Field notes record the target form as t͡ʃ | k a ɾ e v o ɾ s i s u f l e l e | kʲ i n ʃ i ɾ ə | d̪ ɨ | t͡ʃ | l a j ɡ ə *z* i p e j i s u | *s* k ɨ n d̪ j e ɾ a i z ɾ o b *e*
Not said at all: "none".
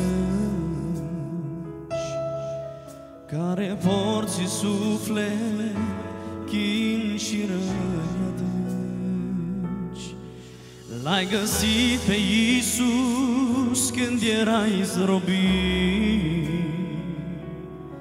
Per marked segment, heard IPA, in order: s, s, i

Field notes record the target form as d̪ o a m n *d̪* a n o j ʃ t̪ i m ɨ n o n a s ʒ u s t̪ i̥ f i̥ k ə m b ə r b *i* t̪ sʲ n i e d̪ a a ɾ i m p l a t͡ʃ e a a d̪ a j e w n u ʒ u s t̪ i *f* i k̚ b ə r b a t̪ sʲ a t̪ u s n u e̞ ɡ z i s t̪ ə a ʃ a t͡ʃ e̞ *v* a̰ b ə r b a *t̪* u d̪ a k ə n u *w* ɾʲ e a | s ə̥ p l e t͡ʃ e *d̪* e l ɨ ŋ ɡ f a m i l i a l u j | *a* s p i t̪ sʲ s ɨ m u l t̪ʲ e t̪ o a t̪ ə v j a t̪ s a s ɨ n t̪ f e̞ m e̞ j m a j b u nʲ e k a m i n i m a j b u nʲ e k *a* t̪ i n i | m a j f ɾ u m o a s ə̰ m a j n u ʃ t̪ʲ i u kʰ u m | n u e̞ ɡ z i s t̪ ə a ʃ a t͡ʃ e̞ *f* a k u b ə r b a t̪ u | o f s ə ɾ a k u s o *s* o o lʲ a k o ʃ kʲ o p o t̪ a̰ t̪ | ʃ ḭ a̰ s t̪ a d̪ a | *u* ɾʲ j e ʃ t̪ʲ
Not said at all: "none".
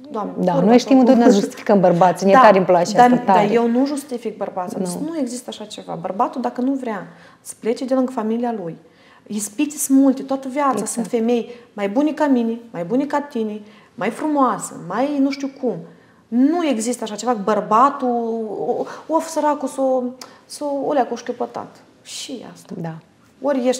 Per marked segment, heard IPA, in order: d̪, a, f, v, t̪, v, d̪, i, a, v, s, o

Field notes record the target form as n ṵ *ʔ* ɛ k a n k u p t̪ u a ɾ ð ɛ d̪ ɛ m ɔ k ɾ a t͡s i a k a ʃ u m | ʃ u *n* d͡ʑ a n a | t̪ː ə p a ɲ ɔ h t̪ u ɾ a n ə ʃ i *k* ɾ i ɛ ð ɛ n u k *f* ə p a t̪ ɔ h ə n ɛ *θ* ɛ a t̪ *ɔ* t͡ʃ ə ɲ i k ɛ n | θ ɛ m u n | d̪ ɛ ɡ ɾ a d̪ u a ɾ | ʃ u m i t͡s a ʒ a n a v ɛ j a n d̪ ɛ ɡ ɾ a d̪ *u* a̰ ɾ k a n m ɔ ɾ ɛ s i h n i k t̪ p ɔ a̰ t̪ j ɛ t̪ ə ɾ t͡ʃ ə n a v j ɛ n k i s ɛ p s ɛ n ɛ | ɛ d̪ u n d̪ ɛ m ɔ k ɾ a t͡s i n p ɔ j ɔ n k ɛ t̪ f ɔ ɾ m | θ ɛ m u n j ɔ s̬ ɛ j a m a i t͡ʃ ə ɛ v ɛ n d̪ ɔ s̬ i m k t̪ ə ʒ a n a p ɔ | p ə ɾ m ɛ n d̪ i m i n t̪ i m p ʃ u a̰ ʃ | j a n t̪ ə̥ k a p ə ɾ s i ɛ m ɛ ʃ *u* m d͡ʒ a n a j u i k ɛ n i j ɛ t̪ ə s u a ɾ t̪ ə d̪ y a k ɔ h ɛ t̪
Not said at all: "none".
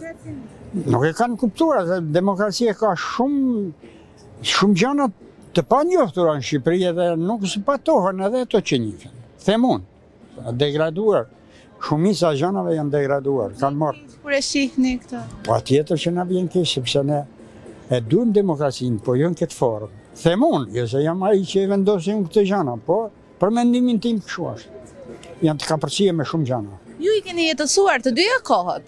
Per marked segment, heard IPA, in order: k, m, p, s, ð, ɔ, u, u

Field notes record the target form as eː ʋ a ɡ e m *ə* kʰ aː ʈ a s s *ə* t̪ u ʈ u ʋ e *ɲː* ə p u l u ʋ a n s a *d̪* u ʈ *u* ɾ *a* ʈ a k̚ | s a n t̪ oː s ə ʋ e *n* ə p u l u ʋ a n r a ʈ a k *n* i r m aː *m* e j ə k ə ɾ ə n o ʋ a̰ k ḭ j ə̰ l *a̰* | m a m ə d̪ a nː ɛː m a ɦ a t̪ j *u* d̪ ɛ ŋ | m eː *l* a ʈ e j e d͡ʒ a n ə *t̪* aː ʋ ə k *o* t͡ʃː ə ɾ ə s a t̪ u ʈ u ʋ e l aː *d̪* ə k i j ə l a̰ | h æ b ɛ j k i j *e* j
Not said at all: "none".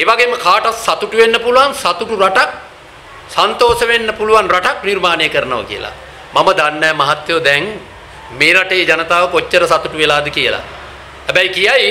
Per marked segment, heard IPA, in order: ə, a, nː, t̪, u, a, nː, n, n, a̰, o, ɾ, t̪, o, d̪, a

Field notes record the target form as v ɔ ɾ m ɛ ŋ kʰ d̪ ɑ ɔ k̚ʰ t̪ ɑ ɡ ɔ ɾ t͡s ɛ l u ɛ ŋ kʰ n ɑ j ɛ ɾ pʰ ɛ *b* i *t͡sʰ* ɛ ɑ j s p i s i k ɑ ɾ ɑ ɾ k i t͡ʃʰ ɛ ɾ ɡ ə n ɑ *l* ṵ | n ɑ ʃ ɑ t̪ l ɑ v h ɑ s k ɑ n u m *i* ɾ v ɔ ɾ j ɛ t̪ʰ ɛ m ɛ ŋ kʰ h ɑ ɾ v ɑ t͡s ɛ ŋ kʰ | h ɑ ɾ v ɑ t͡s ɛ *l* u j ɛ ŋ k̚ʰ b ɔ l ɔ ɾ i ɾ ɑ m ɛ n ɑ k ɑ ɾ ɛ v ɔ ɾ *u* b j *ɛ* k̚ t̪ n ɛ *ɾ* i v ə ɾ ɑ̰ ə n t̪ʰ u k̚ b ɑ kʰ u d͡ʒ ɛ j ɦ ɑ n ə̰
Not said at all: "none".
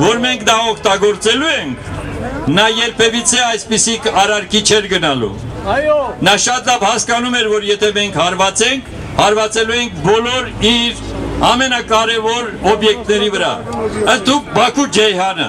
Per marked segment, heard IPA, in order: v, t͡sʰ, l, ɛ, l, ɔ, ɛ, ɾ

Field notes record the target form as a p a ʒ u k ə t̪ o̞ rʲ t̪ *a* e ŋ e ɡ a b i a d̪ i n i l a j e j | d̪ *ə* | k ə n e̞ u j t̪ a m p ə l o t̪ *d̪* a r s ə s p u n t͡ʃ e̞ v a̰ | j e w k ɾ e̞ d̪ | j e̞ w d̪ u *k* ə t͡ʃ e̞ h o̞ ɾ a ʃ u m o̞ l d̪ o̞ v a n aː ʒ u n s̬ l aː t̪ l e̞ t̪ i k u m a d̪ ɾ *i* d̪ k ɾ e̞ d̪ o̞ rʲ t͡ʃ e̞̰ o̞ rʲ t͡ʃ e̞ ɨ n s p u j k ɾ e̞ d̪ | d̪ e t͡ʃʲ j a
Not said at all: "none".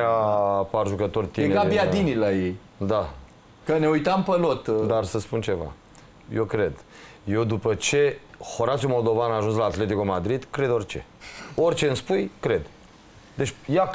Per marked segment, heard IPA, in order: i, a, d̪, p, i

